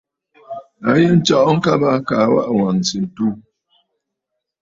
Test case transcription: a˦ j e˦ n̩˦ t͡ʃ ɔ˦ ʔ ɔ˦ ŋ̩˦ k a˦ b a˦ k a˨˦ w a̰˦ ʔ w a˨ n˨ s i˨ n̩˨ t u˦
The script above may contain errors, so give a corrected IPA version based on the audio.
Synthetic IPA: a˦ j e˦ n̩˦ t͡ʃ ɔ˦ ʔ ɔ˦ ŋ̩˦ k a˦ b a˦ k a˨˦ w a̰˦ ʔ w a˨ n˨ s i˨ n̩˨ t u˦